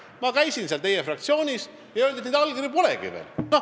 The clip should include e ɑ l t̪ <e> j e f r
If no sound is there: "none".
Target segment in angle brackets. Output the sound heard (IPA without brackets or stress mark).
e